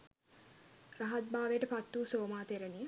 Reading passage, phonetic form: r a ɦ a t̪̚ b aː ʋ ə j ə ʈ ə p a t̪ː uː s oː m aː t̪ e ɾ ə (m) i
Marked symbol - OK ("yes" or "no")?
no